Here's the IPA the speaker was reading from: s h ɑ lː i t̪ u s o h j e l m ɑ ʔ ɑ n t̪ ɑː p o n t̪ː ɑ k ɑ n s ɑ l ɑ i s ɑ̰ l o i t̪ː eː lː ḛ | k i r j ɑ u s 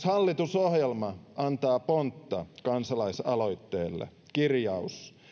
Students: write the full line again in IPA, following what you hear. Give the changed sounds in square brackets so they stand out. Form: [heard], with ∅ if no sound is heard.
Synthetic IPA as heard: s h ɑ lː i t̪ u s o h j e l m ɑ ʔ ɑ n t̪ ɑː p o n t̪ː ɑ k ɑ n s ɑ l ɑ i s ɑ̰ l o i t̪ː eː lː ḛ | k i r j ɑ u s